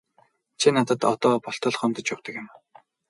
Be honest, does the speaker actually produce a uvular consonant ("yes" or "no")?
yes